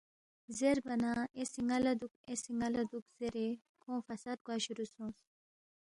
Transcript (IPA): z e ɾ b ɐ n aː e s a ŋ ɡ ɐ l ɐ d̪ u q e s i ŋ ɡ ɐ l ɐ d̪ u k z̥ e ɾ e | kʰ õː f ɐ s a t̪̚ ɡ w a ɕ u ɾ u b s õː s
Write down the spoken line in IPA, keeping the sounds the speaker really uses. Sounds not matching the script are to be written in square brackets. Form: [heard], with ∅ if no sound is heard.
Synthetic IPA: z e ɾ b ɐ n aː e s [i] ŋ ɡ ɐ l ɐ d̪ u [k] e s i ŋ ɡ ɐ l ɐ d̪ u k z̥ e ɾ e | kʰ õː f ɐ s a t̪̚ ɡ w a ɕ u ɾ u [∅] s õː s